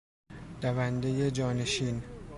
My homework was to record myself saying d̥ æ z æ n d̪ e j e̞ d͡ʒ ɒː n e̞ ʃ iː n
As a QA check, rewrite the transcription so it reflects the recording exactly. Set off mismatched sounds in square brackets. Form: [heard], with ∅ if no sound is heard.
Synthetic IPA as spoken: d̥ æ [v] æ n d̪ e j e̞ d͡ʒ ɒː n e̞ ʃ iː n